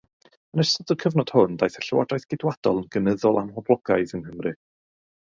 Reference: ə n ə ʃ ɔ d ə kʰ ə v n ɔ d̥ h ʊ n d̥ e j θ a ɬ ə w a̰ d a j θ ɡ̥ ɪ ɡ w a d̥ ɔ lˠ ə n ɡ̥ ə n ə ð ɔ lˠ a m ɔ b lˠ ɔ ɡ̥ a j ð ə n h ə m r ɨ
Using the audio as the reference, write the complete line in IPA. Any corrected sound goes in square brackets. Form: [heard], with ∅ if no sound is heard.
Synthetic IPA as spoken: ə n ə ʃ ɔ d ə kʰ ə v n ɔ d̥ h ʊ n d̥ [a] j θ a ɬ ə w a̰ d a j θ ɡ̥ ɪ [d] w a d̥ ɔ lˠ ə n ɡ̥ ə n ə ð ɔ lˠ a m ɔ b lˠ ɔ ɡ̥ a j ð ə n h ə m r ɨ